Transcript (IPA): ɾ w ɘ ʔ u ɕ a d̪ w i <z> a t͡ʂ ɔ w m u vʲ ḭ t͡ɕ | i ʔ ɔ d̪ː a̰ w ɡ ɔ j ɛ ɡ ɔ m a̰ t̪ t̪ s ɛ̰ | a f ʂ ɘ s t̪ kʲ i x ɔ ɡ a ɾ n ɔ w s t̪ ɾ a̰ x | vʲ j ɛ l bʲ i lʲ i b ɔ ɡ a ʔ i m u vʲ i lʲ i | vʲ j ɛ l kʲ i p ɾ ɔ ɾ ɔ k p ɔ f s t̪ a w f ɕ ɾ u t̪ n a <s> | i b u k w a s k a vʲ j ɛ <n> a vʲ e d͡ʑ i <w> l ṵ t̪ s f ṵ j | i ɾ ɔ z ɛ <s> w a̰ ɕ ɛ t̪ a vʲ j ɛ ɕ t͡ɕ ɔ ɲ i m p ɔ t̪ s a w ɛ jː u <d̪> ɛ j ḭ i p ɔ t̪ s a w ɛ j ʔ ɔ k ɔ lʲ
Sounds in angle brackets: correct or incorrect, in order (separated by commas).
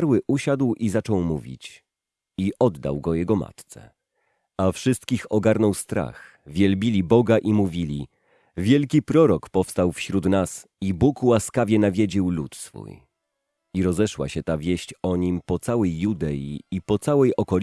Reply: correct, correct, correct, correct, incorrect, correct